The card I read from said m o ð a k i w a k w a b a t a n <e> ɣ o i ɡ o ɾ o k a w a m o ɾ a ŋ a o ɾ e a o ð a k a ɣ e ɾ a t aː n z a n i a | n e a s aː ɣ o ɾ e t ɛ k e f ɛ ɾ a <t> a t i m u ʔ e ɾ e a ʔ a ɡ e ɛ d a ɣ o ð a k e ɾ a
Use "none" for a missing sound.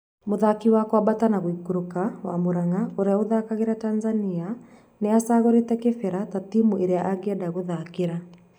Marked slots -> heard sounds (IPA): a, t

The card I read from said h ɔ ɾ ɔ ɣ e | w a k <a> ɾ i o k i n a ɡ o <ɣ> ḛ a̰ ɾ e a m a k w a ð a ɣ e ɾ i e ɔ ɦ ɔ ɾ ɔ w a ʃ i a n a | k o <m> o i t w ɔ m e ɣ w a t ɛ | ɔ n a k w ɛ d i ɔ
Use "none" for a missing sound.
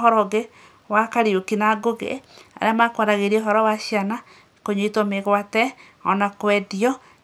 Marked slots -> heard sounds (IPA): a, ɣ, ɲ

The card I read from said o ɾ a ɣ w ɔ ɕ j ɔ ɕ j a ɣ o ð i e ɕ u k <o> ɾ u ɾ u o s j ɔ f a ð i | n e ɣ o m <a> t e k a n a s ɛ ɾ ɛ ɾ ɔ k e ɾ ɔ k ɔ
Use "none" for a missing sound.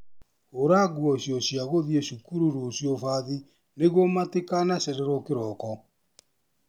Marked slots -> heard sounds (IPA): u, a

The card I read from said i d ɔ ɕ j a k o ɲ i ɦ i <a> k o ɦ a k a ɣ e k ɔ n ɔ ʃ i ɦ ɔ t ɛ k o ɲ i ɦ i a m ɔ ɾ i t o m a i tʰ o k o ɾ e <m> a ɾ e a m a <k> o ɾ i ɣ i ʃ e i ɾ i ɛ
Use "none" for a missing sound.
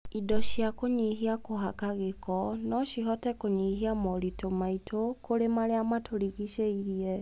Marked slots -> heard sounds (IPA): a, m, t

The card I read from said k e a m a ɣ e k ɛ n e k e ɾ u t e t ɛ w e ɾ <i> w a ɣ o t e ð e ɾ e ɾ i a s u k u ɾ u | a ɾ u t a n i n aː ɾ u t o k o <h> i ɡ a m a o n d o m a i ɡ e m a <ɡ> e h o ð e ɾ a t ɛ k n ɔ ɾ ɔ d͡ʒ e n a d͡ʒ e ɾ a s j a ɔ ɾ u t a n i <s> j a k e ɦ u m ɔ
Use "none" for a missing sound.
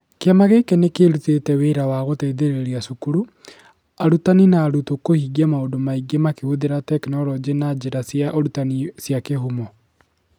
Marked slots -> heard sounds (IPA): a, h, k, s

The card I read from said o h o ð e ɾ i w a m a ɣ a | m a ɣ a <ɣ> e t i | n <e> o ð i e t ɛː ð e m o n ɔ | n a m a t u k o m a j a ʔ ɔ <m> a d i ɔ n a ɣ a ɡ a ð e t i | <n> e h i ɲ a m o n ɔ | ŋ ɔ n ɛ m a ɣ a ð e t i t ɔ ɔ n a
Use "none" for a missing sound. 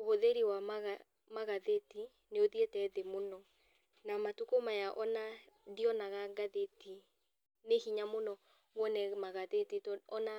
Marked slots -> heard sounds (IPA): ð, e, n, n

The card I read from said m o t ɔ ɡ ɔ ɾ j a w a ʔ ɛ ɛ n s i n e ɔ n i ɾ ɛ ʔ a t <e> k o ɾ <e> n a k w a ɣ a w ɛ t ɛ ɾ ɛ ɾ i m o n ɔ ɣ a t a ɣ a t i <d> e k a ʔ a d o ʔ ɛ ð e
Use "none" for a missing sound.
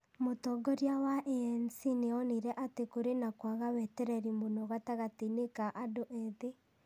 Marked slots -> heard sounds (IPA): e, e, n

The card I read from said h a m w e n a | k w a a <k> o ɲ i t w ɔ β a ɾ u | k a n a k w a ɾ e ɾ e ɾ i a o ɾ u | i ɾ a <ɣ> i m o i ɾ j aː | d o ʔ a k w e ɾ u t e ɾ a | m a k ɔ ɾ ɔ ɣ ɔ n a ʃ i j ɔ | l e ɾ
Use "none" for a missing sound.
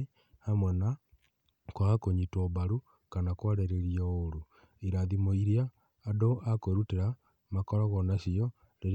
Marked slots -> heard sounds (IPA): k, ð

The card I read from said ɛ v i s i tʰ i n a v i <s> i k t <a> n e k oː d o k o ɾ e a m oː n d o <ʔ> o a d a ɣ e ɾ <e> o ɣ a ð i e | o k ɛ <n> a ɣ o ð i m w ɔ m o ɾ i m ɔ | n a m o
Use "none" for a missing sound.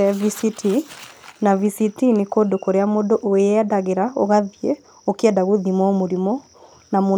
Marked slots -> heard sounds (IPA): s, i, ʔ, a, d

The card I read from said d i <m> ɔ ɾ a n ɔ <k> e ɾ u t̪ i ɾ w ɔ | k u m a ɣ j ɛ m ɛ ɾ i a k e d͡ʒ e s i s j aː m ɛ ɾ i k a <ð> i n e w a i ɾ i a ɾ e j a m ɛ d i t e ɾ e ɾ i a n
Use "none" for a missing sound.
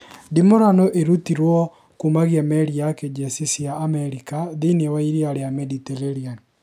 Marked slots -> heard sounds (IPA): m, ʔ, ð

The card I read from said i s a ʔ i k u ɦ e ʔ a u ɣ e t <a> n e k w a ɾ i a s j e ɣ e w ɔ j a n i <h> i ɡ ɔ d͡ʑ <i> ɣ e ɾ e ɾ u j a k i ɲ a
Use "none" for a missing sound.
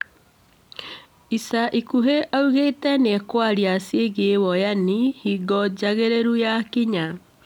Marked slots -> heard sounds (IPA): ɛ, h, a

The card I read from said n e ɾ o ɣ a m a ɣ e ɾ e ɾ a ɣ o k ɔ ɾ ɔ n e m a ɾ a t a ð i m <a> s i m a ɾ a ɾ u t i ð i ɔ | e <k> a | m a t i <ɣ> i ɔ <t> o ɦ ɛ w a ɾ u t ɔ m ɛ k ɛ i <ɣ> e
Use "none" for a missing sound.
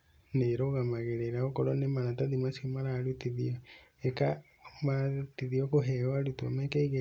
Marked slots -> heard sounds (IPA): a, k, ð, k, ɣ

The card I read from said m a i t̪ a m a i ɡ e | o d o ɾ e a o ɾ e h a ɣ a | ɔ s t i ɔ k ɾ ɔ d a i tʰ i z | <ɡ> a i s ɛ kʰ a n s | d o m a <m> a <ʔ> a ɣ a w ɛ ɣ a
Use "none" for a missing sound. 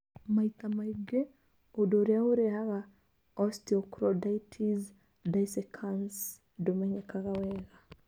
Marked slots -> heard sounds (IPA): d, ɲ, k

